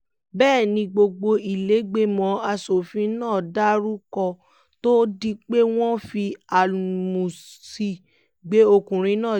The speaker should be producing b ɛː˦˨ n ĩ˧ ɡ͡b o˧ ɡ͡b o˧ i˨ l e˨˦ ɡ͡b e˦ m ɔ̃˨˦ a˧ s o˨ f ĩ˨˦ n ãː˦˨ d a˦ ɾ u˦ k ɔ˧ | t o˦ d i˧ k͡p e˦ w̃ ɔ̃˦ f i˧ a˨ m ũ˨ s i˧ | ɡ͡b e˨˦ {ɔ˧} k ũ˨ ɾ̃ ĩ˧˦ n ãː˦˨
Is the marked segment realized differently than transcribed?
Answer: yes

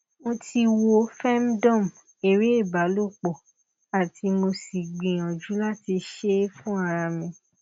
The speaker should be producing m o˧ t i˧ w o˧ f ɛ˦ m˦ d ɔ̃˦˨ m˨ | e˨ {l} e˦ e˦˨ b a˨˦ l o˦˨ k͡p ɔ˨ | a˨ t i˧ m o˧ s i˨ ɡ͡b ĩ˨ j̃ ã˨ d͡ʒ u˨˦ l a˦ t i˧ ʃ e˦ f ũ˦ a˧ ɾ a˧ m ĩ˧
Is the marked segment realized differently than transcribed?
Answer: yes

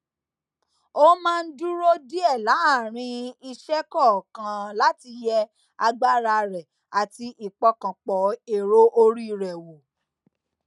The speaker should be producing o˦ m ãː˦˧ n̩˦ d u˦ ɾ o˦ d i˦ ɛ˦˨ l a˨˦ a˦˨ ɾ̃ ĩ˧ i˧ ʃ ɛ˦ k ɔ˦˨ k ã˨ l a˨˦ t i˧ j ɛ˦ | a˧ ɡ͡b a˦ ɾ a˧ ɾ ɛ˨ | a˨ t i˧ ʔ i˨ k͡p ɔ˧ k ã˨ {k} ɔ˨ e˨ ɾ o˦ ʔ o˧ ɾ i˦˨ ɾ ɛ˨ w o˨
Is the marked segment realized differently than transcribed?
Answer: yes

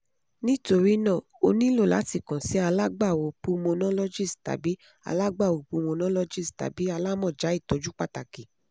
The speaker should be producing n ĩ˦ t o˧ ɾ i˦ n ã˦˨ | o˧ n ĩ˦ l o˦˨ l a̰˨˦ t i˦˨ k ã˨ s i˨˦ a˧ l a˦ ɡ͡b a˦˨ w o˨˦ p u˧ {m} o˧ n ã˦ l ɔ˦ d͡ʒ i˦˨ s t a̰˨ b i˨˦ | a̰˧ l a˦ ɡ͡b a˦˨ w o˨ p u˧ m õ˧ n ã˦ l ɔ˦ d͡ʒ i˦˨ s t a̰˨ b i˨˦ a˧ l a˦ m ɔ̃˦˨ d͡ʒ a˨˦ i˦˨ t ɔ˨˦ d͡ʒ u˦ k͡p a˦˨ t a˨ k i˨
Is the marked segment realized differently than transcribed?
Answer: no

